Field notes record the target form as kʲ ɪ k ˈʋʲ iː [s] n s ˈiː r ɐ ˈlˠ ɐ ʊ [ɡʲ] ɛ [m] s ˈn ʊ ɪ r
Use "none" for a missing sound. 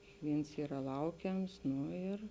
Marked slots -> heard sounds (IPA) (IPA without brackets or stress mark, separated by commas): none, kʲ, m